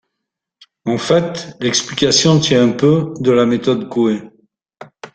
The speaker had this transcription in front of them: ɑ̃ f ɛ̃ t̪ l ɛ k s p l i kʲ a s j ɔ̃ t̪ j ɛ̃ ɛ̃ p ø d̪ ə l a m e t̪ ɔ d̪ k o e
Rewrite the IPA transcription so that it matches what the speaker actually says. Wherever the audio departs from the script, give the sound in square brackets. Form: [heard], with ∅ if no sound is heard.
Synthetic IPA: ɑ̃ f [ɛ] t̪ l ɛ k s p l i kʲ a s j ɔ̃ t̪ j ɛ̃ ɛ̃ p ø d̪ ə l a m e t̪ ɔ d̪ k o e